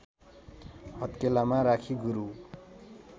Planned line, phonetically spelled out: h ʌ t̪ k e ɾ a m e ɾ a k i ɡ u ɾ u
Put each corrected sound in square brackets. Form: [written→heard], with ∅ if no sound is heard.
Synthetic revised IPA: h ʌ t̪ k e [ɾ→l] a m [e→a] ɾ a [k→kʰ] i ɡ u ɾ u